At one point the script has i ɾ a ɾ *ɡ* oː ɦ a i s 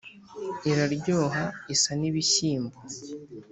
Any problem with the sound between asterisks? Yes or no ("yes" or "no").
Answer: yes